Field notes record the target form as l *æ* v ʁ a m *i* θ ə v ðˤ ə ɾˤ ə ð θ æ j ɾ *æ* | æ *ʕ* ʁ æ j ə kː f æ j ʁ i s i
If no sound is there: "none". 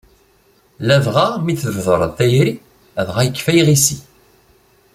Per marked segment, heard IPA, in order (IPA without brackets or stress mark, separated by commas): æ, i, i, ð